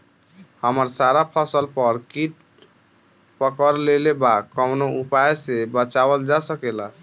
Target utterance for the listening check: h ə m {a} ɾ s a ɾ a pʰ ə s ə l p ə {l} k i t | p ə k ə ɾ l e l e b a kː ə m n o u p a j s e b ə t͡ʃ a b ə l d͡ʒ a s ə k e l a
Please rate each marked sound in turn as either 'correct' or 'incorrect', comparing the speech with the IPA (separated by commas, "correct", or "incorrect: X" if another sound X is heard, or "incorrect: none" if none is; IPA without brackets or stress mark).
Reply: incorrect: ə, incorrect: ɾ